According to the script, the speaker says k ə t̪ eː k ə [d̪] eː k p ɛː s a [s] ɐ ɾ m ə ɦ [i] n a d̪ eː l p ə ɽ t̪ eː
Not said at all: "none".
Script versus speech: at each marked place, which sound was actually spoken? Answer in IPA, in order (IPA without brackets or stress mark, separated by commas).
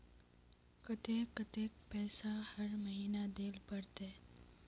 t̪, h, iː